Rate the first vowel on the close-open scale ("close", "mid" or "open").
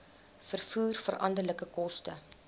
mid